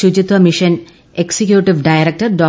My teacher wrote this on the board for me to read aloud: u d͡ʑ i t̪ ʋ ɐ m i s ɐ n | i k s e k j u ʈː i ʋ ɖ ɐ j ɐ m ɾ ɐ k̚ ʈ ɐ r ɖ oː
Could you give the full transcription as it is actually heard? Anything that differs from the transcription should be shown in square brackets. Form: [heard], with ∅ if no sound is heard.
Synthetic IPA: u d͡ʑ i t̪ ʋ ɐ m i [ʂ] ɐ n | [e] k s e k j u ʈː i ʋ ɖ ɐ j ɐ [∅] ɾ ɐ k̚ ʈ ɐ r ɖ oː